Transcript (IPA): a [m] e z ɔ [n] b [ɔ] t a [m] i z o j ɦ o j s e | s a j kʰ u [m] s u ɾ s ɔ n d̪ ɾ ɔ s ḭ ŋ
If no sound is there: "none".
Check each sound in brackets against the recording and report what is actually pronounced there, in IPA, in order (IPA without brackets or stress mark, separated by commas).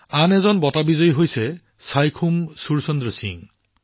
n, n, ɔ, b, m